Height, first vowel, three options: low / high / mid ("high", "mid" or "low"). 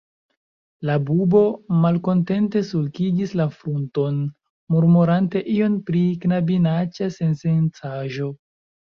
low